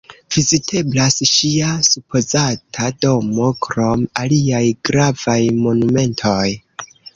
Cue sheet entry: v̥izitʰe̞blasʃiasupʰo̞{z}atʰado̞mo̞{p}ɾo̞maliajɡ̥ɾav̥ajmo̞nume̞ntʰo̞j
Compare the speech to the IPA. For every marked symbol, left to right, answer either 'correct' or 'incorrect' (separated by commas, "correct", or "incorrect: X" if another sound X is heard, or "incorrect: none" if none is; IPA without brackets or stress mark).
correct, incorrect: k